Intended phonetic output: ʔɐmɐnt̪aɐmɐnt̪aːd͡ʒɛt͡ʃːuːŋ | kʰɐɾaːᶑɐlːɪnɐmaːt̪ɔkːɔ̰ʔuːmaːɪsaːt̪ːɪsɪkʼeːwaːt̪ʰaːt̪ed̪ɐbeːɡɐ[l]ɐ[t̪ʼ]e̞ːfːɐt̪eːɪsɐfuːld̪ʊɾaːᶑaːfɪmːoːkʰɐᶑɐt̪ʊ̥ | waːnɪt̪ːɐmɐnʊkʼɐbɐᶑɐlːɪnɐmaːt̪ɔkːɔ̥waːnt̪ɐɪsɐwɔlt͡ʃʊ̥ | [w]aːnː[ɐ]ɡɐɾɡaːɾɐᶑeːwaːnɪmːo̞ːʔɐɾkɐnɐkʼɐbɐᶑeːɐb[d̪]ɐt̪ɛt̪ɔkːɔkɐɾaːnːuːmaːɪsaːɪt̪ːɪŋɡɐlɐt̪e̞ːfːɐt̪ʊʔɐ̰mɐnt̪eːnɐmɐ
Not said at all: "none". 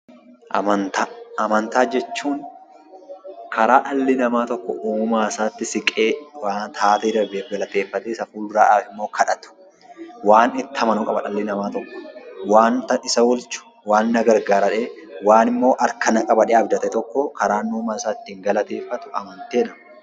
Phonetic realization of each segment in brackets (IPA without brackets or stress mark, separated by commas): l, t̪, w, ɐ, d̪